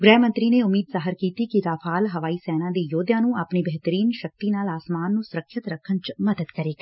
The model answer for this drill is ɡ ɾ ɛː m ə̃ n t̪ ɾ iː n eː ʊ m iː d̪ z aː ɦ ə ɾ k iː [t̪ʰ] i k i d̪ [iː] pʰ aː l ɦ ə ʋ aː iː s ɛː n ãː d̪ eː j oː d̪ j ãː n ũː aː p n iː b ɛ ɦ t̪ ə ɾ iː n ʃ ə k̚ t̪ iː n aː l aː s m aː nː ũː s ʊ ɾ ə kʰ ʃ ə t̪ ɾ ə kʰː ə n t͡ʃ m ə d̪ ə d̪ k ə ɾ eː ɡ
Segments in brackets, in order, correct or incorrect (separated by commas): incorrect, incorrect